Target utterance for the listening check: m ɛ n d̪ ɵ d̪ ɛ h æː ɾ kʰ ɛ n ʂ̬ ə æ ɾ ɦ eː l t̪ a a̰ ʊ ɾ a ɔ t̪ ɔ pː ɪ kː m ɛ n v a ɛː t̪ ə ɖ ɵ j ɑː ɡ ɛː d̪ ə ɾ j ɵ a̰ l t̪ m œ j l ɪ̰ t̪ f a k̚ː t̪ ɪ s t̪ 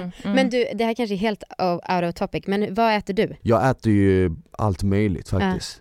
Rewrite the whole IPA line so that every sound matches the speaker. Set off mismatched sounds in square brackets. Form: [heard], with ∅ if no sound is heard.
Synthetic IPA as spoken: m ɛ n d̪ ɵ d̪ ɛ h æː ɾ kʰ [a] n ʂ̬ ə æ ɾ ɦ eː l t̪ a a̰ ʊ ɾ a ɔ [t̪ʰ] ɔ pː ɪ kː m ɛ n v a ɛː t̪ ə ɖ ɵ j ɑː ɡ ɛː [t̪] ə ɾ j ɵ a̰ l t̪ m œ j l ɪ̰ t̪ f a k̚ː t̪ ɪ s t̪